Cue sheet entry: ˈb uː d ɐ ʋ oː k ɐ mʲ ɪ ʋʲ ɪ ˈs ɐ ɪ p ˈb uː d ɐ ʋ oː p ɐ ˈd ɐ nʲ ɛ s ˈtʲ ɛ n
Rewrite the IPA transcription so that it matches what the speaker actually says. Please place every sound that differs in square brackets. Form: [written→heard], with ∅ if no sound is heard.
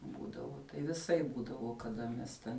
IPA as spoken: ˈb uː d ɐ ʋ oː [k→t] ɐ [mʲ→∅] ɪ ʋʲ ɪ ˈs ɐ ɪ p ˈb uː d ɐ ʋ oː [p→k] ɐ ˈd ɐ [nʲ→mʲ] ɛ s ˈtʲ ɛ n